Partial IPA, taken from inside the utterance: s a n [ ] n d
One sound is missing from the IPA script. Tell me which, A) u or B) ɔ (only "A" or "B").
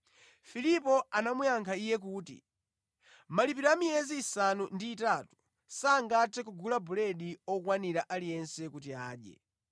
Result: A